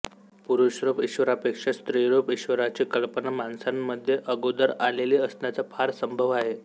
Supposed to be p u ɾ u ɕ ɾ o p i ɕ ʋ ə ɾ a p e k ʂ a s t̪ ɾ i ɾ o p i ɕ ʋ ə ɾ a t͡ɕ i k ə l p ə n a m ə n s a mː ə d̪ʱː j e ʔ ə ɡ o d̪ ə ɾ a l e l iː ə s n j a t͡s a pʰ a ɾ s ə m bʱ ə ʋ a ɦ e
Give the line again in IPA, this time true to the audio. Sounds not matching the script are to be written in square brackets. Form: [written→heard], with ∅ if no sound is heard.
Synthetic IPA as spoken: p u ɾ u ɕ ɾ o p i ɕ ʋ ə ɾ a p e k ʂ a s t̪ ɾ i ɾ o p i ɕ ʋ ə ɾ a t͡ɕ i k ə l p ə n a m [ə→a] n s a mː ə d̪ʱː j e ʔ ə ɡ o d̪ ə ɾ a l e l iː ə s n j a t͡s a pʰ a ɾ s ə m bʱ ə ʋ a ɦ e